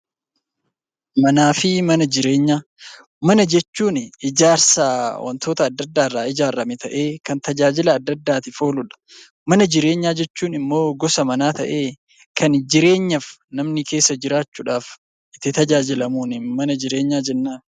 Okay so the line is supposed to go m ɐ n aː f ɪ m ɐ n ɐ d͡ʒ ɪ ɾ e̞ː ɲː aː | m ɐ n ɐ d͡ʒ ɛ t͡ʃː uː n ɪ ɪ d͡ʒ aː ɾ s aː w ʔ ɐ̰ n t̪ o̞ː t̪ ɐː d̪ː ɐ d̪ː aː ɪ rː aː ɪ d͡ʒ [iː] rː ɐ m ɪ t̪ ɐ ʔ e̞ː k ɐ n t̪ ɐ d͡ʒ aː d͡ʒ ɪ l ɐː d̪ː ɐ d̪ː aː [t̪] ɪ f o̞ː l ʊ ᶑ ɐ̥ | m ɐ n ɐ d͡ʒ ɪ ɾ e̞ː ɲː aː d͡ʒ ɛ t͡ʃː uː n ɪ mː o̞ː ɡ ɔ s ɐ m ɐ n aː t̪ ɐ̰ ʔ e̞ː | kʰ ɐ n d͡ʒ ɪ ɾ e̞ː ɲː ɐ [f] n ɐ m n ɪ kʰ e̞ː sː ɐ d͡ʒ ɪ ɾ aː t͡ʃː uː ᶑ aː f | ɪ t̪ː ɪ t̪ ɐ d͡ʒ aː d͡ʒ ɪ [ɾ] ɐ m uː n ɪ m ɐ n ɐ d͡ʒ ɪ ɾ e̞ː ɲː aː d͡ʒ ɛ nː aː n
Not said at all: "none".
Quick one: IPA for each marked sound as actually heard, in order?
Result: aː, t̪, f, l

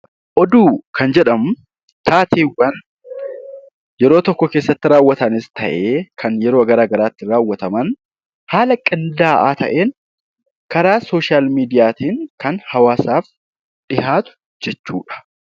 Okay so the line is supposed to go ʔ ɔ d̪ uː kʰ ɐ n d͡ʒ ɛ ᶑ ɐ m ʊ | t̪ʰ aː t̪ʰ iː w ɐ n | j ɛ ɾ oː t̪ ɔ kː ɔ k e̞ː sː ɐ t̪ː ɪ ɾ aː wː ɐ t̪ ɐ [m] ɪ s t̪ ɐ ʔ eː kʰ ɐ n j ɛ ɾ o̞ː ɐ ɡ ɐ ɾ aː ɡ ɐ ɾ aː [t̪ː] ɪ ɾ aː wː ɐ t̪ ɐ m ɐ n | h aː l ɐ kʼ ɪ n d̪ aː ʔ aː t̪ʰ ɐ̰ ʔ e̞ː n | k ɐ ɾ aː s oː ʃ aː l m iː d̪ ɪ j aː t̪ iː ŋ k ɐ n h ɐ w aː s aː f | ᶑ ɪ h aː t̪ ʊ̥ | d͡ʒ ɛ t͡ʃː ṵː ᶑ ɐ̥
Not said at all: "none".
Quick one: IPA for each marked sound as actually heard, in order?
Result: n, t̪ː

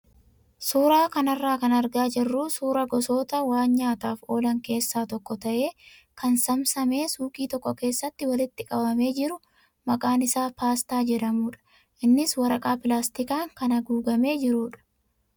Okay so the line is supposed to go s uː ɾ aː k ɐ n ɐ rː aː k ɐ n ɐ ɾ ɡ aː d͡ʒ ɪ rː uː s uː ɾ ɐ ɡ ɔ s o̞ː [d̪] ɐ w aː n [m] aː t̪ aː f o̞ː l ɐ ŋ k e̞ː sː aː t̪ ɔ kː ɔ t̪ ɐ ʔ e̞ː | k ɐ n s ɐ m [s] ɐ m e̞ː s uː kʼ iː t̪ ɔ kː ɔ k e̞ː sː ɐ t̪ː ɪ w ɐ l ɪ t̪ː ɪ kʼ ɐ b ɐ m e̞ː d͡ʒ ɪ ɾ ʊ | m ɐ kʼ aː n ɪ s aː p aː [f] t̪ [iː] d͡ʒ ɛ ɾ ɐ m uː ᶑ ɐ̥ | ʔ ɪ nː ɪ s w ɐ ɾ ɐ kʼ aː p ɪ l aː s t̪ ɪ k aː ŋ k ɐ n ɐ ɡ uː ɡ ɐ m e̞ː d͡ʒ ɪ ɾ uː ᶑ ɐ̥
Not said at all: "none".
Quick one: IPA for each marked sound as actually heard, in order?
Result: t̪, ɲ, s, s, aː

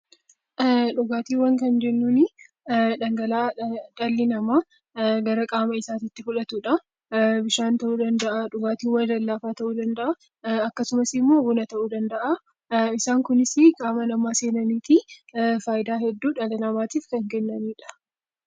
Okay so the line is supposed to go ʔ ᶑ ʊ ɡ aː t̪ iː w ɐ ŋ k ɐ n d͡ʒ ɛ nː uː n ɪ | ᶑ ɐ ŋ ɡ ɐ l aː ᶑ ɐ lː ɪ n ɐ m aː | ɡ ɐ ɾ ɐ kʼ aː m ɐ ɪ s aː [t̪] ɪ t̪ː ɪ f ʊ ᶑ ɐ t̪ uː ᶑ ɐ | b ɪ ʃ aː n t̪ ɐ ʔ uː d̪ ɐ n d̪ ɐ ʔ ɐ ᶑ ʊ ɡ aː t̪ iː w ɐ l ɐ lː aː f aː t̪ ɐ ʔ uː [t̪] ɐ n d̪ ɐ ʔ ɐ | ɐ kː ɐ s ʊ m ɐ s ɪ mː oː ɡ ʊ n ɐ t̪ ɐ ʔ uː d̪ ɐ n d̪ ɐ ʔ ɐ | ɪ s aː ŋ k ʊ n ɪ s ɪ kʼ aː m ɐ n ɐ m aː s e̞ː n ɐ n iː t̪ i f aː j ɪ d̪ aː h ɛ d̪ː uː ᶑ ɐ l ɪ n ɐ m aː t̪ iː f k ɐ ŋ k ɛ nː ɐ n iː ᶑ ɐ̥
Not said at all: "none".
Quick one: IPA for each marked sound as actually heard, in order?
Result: t̪, d̪

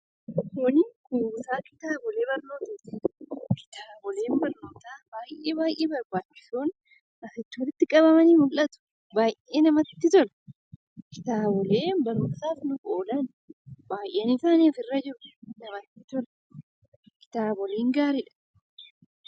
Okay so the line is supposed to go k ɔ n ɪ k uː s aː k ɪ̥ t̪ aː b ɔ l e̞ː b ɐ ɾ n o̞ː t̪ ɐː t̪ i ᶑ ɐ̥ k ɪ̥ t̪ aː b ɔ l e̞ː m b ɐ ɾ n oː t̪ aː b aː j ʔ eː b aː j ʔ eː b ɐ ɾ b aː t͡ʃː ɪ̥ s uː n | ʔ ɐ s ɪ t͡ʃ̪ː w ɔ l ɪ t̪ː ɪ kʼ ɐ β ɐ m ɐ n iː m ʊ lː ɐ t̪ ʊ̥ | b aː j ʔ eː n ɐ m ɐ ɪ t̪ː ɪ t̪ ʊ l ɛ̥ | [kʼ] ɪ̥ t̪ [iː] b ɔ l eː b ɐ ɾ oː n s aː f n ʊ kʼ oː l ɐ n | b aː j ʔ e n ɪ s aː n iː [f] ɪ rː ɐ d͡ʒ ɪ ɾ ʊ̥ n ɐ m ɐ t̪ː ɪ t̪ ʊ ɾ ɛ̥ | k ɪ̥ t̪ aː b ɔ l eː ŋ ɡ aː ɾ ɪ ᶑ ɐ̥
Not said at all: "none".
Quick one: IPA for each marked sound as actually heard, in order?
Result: k, aː, f

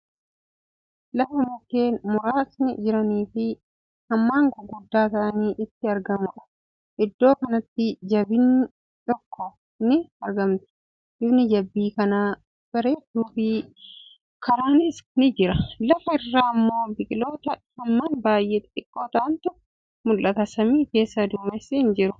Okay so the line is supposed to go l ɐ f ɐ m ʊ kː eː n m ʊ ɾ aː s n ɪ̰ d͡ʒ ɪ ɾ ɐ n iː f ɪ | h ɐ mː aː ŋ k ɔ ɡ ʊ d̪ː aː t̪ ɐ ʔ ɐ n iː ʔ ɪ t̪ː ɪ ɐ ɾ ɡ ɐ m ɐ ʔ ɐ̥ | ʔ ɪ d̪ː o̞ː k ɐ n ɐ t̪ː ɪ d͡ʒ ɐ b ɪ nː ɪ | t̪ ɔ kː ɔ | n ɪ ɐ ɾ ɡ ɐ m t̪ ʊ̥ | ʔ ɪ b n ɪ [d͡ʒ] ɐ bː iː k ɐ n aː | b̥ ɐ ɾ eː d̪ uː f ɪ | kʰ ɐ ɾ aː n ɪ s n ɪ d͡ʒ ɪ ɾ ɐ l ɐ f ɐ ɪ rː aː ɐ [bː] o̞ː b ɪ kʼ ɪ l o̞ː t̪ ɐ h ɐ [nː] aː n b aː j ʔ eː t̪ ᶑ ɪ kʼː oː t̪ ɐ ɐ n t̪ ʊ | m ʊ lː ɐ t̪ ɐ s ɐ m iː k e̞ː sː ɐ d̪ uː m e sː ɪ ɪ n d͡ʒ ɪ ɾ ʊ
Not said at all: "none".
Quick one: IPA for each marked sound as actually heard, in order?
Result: d͡ʒ, mː, mː

